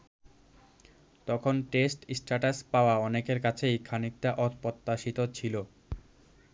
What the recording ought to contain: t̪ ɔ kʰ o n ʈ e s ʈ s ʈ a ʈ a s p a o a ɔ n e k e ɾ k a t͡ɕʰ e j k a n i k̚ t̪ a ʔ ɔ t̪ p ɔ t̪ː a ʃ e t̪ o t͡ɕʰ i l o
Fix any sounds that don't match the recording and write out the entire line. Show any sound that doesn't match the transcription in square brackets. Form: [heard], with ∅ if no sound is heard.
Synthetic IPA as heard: t̪ ɔ kʰ o n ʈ e s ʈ s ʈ a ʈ a s p a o a ɔ n e k e ɾ k a t͡ɕʰ e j [kʰ] a n i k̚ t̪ a ʔ ɔ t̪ p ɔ t̪ː a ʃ [i] t̪ o t͡ɕʰ i l o